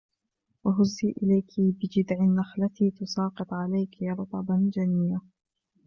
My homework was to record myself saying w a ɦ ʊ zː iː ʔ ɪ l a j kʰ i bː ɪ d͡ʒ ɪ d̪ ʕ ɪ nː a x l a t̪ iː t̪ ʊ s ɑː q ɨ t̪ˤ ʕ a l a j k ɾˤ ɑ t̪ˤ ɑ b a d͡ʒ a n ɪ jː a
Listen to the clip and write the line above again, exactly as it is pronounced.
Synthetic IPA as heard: w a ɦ ʊ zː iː ʔ ɪ l a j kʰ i b ɪ d͡ʒ ɪ d̪ ʕ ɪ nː a x l a t̪ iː t̪ ʊ s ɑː q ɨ t̪ˤ ʕ a l a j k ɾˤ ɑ t̪ˤ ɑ b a d͡ʒ a n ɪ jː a